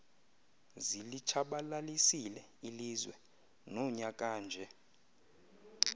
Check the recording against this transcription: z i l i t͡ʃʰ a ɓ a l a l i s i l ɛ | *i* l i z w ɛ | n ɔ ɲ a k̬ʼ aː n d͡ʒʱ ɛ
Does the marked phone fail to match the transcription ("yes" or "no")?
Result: no